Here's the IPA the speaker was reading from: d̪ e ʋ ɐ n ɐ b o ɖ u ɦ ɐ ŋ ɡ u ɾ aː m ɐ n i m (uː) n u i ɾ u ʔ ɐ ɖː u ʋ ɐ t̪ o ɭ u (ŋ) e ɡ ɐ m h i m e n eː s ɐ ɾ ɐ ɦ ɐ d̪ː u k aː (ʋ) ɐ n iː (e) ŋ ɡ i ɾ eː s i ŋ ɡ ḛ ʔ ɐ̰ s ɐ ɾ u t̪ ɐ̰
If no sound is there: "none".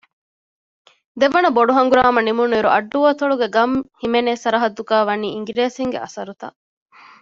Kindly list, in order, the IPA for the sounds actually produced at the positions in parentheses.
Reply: u, ɡ, ʋ, i

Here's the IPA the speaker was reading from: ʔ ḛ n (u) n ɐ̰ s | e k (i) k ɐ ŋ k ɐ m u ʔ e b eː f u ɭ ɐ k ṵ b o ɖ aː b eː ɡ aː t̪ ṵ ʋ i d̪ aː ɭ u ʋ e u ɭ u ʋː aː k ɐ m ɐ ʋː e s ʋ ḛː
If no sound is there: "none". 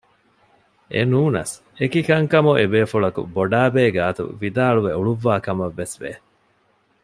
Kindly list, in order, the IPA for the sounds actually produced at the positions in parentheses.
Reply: uː, i

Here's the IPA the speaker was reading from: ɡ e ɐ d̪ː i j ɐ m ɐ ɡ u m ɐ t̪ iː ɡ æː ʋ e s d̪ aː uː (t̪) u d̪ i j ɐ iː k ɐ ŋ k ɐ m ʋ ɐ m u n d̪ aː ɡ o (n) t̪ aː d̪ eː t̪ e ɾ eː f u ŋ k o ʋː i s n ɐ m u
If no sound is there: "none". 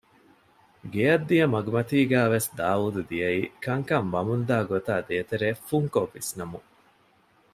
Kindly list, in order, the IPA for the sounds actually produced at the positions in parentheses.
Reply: d̪, none

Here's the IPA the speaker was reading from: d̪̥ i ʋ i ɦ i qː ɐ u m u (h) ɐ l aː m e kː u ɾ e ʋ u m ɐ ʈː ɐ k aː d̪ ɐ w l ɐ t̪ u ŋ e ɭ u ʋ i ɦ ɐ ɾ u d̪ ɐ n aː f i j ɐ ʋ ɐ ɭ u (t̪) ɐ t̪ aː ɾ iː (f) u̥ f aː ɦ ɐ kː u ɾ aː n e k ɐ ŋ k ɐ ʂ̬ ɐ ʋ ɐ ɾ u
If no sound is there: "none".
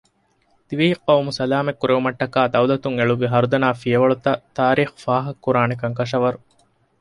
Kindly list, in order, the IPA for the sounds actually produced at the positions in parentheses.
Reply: s, t̪, x

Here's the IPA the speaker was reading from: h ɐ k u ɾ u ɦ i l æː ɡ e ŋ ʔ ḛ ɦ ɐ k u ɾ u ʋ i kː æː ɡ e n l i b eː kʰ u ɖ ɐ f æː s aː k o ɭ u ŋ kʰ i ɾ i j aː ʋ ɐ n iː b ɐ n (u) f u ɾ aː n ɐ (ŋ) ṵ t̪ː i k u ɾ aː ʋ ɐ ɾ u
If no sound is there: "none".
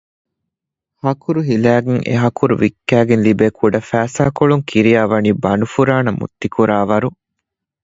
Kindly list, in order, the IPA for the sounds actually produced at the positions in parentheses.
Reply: u, m

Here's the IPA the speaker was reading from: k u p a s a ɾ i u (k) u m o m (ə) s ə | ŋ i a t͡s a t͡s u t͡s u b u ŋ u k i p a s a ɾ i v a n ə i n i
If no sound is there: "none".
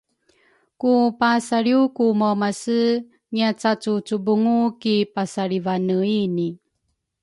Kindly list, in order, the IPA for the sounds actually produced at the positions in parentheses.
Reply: k, a

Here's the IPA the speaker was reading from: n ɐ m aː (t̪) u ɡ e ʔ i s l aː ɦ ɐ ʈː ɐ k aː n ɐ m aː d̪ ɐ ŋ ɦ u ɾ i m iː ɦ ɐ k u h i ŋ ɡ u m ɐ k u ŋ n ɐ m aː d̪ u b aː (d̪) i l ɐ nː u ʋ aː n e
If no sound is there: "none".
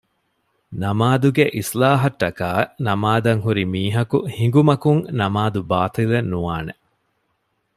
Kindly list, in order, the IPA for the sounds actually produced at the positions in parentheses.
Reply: d̪, t̪

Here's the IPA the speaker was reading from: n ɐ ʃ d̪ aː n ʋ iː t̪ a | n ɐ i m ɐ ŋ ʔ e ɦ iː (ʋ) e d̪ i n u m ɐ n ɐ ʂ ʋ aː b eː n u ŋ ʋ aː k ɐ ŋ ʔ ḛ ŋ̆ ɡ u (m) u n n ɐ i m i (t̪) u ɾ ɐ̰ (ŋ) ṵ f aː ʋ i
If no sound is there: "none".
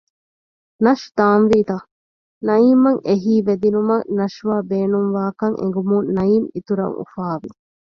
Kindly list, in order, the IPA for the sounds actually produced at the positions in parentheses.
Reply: ʋ, m, t̪, ŋ

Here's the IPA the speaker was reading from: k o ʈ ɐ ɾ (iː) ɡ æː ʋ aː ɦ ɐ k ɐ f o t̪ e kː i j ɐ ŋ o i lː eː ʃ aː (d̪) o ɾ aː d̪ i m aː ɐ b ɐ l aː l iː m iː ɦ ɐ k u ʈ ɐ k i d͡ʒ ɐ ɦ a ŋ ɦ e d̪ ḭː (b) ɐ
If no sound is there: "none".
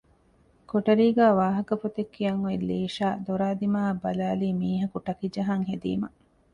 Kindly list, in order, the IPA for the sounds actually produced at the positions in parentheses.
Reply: iː, d̪, m

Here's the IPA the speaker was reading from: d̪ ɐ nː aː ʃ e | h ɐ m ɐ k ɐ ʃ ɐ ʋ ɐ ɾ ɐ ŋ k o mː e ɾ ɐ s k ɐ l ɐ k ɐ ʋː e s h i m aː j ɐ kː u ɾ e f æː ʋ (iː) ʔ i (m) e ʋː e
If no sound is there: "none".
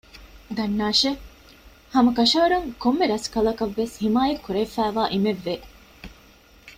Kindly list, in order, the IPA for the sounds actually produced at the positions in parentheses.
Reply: aː, m

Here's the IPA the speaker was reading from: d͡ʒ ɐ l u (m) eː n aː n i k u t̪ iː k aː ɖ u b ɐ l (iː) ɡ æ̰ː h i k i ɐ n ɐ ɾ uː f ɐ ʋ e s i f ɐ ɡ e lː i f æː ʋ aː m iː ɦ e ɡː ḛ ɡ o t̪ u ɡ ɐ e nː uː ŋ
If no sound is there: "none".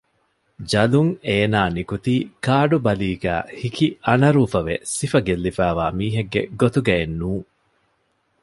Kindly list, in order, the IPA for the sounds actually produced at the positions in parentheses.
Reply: ŋ, iː

